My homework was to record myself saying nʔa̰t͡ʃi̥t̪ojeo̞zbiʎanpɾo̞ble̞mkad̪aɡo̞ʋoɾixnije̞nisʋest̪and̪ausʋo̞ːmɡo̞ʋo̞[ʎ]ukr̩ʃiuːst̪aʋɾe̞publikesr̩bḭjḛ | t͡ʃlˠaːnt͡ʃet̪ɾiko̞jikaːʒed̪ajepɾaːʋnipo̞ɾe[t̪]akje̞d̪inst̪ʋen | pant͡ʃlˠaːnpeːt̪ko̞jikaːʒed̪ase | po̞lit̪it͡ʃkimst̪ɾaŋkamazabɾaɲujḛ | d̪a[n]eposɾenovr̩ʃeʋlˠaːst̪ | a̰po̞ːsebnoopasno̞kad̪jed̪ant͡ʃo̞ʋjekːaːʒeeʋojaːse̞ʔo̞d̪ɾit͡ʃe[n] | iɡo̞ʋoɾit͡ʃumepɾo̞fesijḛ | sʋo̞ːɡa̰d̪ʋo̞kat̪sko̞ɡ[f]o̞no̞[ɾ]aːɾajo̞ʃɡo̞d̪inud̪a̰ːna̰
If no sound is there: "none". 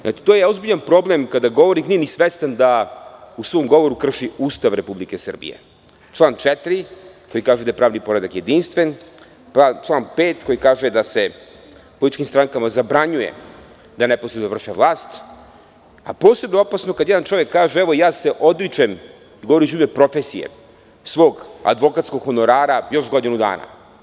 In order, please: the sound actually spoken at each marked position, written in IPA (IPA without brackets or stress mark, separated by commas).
ɾ, d̪, n, m, x, ɾ